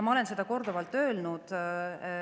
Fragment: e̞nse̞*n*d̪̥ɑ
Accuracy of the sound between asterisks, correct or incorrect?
incorrect: none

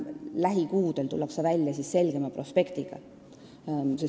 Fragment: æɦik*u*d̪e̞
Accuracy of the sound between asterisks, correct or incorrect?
incorrect: uː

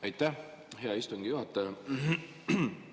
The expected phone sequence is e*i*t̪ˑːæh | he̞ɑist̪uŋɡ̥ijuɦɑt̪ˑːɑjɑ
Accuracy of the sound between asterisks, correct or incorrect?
incorrect: j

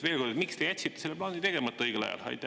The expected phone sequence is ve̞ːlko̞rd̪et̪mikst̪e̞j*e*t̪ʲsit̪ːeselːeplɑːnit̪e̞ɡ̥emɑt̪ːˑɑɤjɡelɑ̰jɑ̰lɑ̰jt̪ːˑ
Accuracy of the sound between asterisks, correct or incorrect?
incorrect: æ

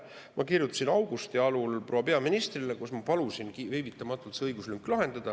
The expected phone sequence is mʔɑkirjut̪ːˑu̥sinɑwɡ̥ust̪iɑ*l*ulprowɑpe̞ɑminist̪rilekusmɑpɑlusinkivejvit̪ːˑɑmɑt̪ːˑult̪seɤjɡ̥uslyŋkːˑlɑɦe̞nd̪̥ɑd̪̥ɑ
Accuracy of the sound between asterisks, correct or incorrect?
correct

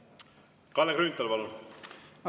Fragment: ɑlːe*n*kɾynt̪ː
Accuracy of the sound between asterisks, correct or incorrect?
incorrect: none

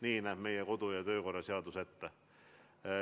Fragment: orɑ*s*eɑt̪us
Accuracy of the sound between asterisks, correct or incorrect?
correct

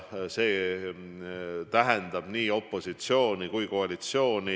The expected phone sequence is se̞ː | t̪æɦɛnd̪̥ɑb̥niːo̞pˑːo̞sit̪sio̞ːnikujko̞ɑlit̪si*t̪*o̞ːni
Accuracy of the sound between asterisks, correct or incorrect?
incorrect: none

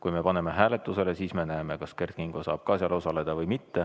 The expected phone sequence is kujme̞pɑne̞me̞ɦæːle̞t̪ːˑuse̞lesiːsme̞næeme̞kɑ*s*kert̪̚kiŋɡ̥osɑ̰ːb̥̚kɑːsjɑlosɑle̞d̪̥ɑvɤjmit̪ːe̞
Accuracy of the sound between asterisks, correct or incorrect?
correct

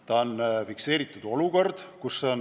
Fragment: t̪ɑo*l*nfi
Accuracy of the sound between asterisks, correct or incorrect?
incorrect: none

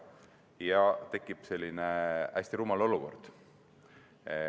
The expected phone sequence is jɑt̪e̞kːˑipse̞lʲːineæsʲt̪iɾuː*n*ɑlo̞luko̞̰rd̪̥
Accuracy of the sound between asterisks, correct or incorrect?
incorrect: m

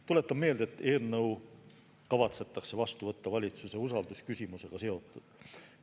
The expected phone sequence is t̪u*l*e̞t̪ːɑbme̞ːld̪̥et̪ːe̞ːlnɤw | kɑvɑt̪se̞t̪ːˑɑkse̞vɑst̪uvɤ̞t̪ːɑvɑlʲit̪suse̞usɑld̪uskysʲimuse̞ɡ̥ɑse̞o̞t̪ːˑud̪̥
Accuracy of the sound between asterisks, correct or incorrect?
correct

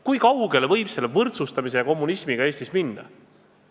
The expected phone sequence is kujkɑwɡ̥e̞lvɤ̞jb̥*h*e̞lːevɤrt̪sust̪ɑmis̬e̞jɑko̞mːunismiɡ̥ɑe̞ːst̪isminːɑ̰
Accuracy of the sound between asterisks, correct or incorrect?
incorrect: s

